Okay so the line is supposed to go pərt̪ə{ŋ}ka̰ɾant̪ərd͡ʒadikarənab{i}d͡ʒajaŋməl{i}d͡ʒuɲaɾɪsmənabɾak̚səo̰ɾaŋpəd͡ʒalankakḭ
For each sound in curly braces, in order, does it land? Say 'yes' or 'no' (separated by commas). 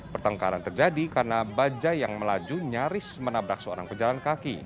yes, no, no